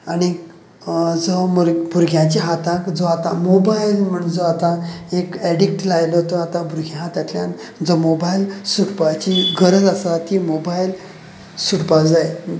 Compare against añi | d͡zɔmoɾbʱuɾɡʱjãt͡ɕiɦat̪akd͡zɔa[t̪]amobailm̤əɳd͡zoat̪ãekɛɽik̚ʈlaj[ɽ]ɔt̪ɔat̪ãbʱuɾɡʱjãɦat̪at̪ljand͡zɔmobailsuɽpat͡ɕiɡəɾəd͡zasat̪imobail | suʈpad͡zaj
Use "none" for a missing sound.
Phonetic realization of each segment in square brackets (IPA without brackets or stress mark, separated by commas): t̪, l